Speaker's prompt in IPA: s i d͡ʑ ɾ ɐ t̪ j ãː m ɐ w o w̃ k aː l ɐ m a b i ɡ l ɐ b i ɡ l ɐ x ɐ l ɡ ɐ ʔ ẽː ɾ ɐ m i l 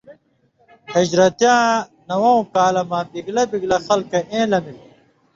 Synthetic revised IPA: h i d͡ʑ ɾ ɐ t̪ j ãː n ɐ w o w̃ k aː l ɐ m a b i ɡ l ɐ b i ɡ l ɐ x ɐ l k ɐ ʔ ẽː l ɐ m i l